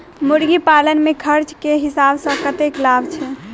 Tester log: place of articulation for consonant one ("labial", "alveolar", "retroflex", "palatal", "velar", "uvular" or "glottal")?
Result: labial